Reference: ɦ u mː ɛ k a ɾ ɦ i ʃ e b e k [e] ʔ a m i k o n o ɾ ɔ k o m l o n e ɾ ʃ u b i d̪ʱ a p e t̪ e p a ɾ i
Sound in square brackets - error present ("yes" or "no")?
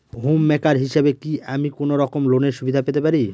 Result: yes